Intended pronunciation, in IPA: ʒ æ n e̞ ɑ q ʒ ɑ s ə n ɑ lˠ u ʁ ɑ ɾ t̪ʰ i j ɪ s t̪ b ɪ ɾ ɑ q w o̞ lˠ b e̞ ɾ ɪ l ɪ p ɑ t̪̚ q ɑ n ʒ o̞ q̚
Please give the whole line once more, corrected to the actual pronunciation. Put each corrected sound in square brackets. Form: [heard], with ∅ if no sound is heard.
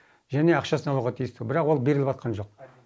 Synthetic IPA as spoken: ʒ æ n e̞ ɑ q [ʃ] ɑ s ə n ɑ lˠ u ʁ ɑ [∅] t̪ʰ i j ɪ s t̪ b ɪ ɾ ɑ q w o̞ lˠ b e̞ ɾ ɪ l ɪ p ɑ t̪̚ q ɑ n ʒ o̞ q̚